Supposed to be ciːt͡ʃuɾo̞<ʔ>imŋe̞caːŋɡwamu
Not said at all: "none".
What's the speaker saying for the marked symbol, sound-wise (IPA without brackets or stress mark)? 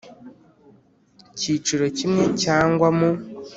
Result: c